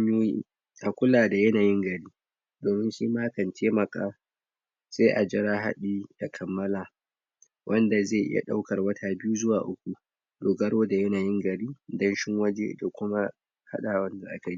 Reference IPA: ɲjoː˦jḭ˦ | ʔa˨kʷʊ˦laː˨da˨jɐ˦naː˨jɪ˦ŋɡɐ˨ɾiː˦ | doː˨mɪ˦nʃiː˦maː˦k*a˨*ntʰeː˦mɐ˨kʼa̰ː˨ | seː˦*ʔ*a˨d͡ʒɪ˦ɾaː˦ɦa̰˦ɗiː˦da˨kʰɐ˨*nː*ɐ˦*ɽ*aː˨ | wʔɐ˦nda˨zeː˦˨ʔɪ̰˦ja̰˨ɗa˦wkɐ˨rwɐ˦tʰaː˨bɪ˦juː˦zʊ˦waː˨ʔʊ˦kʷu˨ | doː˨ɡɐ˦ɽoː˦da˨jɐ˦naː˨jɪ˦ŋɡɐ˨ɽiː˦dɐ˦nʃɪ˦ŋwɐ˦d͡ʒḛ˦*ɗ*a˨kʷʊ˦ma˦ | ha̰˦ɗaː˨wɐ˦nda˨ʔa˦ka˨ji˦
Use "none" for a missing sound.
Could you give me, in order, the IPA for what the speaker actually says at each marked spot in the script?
ɐ˨, ʔ, mː, l, d

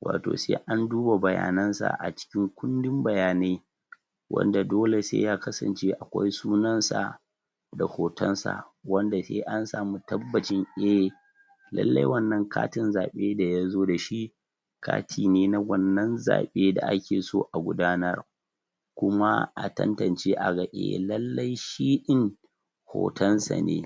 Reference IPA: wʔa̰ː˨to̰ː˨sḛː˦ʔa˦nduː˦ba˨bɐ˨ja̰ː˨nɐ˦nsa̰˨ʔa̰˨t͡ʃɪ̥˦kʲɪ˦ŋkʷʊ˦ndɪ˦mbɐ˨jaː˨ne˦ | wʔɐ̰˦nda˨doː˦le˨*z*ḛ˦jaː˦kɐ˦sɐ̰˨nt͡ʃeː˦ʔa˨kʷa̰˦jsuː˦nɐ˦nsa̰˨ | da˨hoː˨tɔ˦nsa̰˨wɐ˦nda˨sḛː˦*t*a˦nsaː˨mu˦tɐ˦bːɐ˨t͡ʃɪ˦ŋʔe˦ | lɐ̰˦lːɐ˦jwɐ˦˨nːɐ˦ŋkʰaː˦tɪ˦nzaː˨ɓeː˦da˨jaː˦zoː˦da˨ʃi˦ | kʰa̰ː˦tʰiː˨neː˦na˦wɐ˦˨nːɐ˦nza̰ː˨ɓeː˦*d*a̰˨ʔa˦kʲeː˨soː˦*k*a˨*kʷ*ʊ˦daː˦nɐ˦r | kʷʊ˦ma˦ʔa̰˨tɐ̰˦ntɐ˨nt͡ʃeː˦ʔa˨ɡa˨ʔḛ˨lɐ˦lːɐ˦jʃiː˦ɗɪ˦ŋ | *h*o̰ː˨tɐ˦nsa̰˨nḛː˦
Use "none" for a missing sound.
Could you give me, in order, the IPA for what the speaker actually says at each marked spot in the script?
s, ʔ, d, ʔ, ɡʷ, h

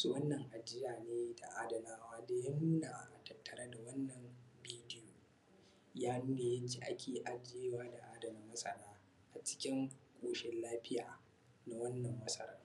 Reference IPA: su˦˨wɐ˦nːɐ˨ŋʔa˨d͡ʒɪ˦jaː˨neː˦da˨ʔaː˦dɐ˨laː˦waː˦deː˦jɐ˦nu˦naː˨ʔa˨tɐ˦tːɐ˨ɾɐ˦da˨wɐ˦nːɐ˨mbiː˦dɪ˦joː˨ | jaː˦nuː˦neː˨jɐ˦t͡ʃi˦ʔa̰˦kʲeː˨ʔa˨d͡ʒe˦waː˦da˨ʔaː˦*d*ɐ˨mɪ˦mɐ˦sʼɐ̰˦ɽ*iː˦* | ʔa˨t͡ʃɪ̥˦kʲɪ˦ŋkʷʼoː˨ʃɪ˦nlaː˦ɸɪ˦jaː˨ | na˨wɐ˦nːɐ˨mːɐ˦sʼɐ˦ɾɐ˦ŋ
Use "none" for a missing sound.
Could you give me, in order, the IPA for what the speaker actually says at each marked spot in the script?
d, aː˦

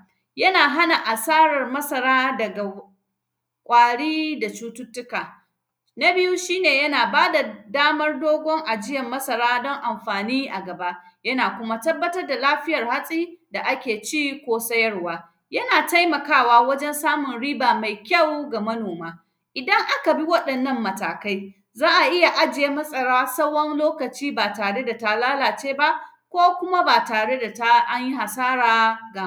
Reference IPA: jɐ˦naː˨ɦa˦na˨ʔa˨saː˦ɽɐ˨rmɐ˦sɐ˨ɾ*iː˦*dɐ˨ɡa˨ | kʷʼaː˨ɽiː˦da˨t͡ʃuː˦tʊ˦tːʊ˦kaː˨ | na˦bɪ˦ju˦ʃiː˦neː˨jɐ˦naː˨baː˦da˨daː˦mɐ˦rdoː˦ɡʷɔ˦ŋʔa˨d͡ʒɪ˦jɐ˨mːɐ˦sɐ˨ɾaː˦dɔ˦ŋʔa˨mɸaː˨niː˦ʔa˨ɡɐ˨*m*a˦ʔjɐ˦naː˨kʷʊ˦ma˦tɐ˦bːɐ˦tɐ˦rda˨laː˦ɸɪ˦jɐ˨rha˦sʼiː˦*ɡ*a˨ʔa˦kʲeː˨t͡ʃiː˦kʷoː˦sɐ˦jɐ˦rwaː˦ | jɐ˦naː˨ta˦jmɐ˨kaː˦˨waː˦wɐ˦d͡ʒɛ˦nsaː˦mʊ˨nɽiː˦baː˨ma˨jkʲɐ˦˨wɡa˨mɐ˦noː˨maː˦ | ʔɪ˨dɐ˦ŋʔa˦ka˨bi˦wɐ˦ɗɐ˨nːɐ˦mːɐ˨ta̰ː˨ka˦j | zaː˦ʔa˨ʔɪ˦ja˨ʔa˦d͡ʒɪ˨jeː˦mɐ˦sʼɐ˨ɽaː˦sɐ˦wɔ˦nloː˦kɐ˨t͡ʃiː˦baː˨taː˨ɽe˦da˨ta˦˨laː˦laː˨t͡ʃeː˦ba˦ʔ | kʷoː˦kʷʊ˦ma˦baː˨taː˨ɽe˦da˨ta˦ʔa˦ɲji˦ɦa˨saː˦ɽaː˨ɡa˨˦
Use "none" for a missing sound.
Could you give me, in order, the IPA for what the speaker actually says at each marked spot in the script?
aː˦, b, d

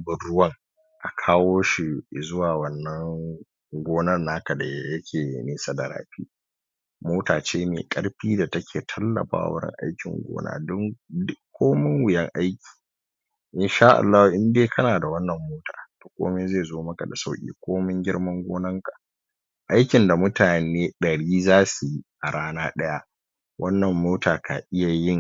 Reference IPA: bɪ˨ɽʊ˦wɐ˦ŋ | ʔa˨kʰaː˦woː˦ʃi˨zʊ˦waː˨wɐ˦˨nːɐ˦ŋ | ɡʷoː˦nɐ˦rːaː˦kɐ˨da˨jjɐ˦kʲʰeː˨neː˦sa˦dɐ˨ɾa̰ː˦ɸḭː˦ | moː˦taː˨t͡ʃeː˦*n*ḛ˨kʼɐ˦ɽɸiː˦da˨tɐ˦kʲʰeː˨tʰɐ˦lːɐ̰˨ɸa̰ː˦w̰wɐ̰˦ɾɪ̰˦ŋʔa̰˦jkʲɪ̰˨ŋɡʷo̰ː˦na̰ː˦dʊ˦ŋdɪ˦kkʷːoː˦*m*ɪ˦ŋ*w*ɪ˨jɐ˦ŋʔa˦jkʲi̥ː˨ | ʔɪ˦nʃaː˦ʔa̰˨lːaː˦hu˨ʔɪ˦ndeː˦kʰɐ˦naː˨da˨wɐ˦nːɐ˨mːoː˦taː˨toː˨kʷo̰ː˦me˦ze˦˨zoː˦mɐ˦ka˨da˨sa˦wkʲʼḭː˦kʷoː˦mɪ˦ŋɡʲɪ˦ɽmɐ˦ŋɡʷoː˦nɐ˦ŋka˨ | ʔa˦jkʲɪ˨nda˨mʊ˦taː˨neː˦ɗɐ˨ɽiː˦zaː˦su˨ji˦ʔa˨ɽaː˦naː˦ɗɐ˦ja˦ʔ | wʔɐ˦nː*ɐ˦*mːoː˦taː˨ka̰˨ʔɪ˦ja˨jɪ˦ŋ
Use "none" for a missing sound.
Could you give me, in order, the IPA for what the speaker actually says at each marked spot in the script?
m, m, w, ɐ˨

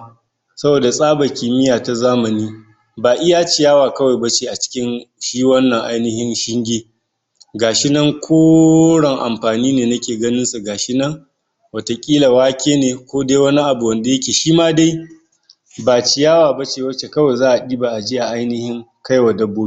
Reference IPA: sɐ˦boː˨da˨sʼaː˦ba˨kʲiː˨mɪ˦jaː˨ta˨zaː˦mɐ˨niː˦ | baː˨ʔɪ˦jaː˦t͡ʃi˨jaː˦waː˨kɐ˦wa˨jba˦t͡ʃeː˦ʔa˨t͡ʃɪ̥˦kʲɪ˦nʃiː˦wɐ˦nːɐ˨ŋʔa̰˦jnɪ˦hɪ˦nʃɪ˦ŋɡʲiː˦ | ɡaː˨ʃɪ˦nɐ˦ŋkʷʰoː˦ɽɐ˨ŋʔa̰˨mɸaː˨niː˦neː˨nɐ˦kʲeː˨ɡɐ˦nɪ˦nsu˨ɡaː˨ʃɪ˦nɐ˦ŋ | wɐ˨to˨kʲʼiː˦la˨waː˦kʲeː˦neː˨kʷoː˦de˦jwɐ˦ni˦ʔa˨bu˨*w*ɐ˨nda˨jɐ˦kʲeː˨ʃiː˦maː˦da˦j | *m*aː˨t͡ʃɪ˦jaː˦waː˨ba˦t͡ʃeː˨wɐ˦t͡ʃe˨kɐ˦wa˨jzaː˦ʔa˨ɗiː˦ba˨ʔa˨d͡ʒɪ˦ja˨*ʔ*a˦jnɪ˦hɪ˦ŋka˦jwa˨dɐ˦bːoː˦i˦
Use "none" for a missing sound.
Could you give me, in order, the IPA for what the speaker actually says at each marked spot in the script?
w, b, ʔ

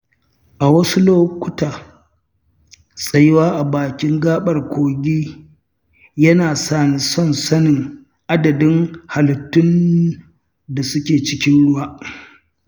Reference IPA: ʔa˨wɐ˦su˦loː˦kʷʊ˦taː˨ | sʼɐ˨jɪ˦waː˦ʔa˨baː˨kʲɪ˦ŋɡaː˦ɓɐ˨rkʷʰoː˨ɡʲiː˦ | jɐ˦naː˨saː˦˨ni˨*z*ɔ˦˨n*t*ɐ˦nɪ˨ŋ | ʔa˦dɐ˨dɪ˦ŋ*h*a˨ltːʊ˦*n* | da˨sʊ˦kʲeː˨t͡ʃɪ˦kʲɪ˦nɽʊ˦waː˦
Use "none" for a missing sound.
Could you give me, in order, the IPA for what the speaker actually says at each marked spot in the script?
s, s, h, n

